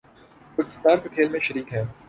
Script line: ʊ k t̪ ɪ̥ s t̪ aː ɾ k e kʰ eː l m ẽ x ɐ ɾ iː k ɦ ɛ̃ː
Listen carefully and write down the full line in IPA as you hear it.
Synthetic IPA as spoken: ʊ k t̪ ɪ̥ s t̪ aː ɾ k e kʰ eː l m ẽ ʃ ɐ ɾ iː k ɦ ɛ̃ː